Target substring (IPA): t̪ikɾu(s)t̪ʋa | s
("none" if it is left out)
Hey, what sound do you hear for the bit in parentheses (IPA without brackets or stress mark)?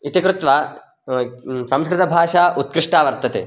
none